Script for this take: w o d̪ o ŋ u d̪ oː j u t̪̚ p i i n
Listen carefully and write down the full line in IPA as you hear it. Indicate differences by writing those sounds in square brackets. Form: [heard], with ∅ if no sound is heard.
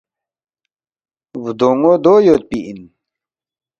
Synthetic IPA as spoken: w [u] d̪ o ŋ [o] d̪ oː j [o] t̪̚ p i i n